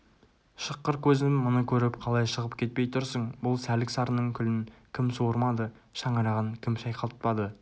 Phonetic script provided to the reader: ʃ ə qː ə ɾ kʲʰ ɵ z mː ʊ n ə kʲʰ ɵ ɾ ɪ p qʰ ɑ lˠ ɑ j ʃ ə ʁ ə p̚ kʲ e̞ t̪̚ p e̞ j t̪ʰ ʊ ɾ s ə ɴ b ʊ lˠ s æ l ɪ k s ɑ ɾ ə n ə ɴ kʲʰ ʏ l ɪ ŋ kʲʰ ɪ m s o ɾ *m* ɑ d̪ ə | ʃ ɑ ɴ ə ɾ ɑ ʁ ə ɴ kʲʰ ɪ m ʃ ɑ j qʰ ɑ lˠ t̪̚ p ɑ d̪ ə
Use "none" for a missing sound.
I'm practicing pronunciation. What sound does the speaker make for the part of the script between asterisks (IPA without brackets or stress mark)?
m